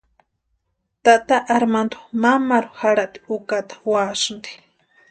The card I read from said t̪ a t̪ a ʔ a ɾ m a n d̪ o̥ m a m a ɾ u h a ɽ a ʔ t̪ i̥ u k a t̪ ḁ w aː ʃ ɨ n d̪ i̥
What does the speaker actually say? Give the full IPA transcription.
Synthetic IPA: t̪ a t̪ a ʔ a ɾ m a n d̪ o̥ m a m a ɾ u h a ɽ a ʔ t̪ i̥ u k a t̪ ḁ w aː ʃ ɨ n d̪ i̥